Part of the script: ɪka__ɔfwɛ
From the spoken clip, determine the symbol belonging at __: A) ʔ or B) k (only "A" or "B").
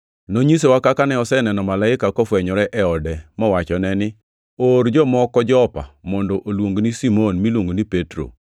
B